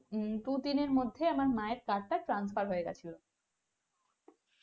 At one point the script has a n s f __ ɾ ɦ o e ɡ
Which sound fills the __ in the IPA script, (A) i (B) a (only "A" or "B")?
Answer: B